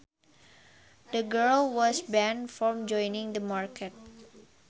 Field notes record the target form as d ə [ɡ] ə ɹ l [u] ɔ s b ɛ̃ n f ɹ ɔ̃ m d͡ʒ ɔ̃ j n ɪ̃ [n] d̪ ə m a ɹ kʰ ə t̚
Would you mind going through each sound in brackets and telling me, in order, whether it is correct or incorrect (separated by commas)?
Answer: correct, incorrect, incorrect